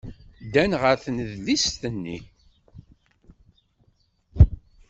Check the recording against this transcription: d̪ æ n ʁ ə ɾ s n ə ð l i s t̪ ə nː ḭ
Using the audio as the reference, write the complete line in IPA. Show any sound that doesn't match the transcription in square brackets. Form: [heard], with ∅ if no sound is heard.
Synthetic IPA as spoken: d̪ æ n ʁ ə ɾ [θ] n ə ð l i s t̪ ə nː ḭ